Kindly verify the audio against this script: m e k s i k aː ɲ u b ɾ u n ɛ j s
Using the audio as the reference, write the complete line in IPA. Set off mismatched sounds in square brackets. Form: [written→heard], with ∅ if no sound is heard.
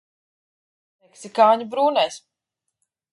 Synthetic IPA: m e k s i k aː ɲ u b ɾ [u→uː] n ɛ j s